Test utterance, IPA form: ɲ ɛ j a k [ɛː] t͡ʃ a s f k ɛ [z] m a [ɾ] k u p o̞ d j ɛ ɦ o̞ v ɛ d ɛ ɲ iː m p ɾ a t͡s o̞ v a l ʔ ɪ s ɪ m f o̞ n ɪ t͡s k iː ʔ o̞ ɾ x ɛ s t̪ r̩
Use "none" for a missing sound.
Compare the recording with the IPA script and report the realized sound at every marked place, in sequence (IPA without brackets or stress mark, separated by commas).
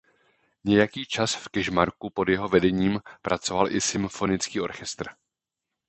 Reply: iː, ʒ, ɾ